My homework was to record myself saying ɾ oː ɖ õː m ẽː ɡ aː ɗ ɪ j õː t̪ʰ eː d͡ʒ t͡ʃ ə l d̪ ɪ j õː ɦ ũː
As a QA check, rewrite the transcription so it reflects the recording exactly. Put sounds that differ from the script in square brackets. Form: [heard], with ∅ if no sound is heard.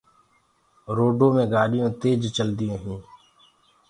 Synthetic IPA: ɾ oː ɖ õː m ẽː ɡ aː ɗ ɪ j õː [t̪] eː d͡ʒ t͡ʃ ə l d̪ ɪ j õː ɦ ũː